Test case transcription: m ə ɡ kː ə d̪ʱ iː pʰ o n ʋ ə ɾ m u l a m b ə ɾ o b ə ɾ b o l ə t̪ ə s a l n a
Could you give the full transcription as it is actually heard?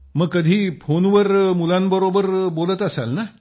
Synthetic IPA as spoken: m ə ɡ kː ə d̪ʱ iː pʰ o n ʋ ə ɾ m u l a n b ə ɾ o b ə ɾ b o l ə t̪ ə s a l n a

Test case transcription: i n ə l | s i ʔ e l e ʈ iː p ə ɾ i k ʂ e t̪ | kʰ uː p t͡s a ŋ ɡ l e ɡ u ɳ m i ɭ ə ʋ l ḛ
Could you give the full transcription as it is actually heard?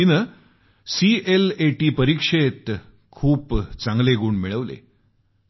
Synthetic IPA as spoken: i n ə | s i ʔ e l e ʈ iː p ə ɾ i k ʂ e t̪ | kʰ uː p t͡s a ŋ ɡ l e ɡ uː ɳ m i ɭ ə ʋ l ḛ

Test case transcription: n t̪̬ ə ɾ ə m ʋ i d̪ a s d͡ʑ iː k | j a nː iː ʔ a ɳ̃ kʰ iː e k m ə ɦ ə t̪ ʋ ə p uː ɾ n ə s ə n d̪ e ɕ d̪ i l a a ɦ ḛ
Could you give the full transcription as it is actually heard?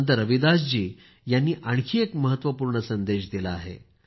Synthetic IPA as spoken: n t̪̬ ə ɾ ə ʋ i d̪ a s d͡ʑ iː | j a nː iː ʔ a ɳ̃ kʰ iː e k m ə ɦ ə t̪ ʋ ə p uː ɾ ɳ ə s ə n d̪ e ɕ d̪ i l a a ɦ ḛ

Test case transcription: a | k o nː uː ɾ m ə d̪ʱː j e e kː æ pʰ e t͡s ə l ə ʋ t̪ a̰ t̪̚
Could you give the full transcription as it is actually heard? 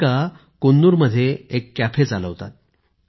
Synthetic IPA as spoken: a | k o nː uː ɾ m ə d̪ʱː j e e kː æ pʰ e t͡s a l ə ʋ t̪ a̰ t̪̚

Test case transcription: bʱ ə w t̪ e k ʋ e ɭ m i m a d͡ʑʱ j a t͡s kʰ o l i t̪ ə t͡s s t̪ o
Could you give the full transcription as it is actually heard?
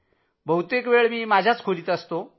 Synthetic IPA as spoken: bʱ ə w t̪ e k ʋ e ɭ m iː m a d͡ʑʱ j a t͡s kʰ o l i t̪ ə s t̪ o

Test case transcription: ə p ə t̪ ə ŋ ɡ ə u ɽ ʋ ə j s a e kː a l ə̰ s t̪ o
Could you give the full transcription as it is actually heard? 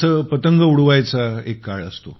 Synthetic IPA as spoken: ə p ə t̪ ə ŋ ɡ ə u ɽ ʋ a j t͡s a e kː a ɭ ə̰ s t̪ o

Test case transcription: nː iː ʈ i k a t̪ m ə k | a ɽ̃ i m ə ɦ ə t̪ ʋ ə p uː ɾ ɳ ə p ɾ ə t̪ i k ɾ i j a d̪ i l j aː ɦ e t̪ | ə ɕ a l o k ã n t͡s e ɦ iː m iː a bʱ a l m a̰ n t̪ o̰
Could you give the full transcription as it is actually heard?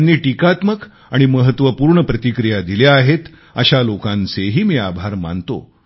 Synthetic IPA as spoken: nː iː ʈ i k a t̪ m ə k | a ɽ̃ i m ə ɦ ə t̪ ʋ ə p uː ɾ ɳ ə p ɾ ə t̪ i k ɾ i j a d̪ i l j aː ɦ e t̪ | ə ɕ a l o k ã n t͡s e ɦ iː m iː a bʱ a ɾ m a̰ n t̪ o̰

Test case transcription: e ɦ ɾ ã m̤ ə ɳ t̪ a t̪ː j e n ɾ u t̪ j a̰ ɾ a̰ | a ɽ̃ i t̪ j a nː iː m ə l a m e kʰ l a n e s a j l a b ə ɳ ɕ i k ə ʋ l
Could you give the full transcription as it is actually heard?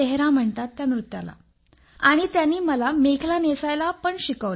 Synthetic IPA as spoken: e ɦ ɾ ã m̤ ə ɳ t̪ a t̪ː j a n ɾ u t̪ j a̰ l a̰ | a ɽ̃ i t̪ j a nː iː m ə l a m e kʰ l a n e s a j l a p ə ɳ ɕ i k ə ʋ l

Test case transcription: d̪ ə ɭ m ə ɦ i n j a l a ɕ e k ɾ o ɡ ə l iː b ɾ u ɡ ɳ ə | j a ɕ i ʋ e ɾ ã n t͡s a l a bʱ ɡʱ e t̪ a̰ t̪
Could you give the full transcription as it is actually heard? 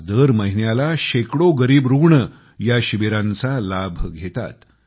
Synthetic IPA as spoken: d̪ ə ɾ m ə ɦ i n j a l a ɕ e k ɽ o ɡ ə ɾ iː b ɾ u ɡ ɳ ə | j a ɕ i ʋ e ɾ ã n t͡s a l a bʱ ɡʱ e t̪ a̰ t̪

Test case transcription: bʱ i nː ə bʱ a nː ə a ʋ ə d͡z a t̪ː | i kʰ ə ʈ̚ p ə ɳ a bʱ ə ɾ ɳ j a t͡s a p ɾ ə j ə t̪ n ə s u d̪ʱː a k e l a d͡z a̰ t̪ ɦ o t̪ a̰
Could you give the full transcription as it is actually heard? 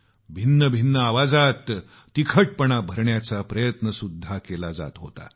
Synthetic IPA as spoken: bʱ i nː ə bʱ i nː ə a ʋ a d͡z a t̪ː | i kʰ ə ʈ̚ p ə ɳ a bʱ ə ɾ ɳ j a t͡s a p ɾ ə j ə t̪ n ə s u d̪ʱː a k e l a d͡z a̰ t̪ ɦ o t̪ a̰

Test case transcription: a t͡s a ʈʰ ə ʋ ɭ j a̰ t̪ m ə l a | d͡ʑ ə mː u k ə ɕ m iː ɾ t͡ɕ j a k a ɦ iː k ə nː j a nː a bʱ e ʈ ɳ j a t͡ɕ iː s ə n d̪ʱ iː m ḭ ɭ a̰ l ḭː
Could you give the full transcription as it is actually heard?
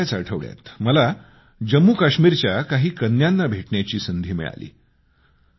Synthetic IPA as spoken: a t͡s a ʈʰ ə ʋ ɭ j a̰ t̪ m ə l a | d͡ʑ ə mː u k a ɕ m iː ɾ t͡ɕ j a k a ɦ iː k ə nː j a nː a bʱ e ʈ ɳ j a t͡ɕ iː s ə n d̪ʱ iː m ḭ ɭ a̰ l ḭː

